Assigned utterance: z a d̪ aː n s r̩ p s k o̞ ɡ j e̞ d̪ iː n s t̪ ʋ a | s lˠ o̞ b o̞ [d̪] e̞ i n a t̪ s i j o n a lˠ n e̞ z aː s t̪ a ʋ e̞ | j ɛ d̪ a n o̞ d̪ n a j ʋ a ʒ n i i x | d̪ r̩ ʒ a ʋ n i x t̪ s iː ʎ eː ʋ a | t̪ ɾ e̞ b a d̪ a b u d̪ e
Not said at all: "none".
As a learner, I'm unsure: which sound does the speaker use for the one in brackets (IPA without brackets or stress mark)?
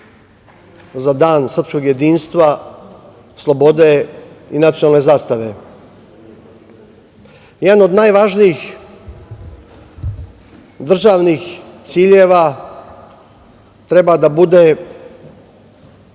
d̪